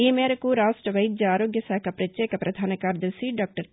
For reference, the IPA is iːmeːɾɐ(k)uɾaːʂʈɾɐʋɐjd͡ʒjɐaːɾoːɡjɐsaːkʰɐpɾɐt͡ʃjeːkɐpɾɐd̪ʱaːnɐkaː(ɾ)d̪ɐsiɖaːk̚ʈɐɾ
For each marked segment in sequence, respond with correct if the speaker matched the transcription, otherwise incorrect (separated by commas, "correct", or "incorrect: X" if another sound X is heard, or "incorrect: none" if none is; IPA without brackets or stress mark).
correct, correct